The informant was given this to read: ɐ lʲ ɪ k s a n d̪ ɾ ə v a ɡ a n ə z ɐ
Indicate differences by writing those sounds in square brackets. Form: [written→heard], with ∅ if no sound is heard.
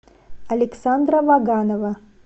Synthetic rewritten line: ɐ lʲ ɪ k s a n d̪ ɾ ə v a ɡ a n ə [z→v] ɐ